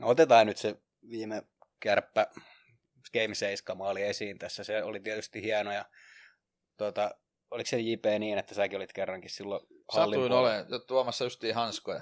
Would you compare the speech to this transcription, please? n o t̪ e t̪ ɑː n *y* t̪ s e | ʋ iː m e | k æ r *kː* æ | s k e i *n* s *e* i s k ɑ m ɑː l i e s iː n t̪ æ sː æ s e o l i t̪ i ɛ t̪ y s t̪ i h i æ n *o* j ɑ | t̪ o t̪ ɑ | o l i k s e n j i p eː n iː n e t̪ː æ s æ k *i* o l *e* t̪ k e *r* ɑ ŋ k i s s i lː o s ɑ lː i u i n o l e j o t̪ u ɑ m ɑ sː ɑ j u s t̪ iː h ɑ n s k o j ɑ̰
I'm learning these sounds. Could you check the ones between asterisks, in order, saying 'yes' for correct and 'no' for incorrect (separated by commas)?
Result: yes, no, no, yes, yes, yes, no, no